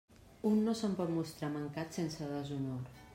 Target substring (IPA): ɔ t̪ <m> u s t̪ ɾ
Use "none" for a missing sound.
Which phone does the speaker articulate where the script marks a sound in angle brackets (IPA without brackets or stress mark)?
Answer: m